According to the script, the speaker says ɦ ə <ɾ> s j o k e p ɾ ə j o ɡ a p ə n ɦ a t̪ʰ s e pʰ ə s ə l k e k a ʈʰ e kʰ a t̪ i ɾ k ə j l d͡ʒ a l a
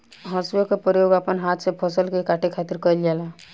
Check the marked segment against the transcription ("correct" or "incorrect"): incorrect